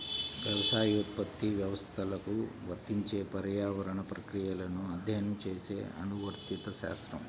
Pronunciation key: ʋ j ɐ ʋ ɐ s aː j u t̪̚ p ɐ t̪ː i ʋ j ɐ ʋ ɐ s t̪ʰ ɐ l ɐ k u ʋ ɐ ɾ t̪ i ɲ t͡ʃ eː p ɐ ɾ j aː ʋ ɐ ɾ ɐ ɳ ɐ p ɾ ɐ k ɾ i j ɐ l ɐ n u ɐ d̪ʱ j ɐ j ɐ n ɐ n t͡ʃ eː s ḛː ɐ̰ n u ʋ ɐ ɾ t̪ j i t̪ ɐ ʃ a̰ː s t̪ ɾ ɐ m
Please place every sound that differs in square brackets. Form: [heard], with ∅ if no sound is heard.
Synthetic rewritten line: ʋ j ɐ ʋ ɐ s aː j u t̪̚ p ɐ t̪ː i ʋ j ɐ ʋ ɐ s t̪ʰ ɐ l ɐ k u ʋ ɐ ɾ t̪ i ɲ t͡ʃ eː p ɐ ɾ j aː ʋ ɐ ɾ ɐ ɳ ɐ p ɾ ɐ k ɾ i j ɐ l ɐ n u ɐ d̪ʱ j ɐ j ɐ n ɐ [m] t͡ʃ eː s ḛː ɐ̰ n u ʋ ɐ ɾ t̪ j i t̪ ɐ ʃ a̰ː s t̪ ɾ ɐ m